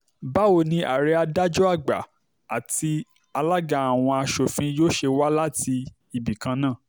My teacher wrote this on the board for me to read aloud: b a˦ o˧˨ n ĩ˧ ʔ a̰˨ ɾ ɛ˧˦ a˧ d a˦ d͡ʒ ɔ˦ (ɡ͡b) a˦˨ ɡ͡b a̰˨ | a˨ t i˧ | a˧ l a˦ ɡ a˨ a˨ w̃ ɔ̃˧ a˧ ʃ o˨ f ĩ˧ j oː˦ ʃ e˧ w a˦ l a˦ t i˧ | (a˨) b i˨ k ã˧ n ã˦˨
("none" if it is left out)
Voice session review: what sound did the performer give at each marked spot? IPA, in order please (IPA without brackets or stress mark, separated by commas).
none, i˨